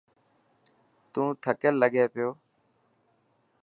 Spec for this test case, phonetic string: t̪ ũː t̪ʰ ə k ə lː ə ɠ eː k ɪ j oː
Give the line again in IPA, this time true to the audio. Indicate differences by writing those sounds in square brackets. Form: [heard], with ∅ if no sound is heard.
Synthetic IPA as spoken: t̪ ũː t̪ʰ ə k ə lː ə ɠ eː [p] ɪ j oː